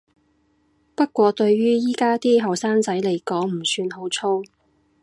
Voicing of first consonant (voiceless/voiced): voiceless